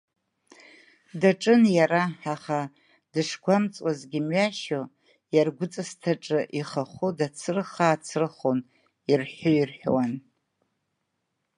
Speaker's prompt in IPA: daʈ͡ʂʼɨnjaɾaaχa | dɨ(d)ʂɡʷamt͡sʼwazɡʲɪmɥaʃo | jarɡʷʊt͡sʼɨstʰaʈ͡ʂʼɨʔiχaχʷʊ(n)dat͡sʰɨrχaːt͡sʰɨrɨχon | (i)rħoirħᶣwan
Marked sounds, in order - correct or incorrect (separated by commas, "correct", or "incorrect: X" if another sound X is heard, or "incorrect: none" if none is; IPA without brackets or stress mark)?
incorrect: none, incorrect: none, correct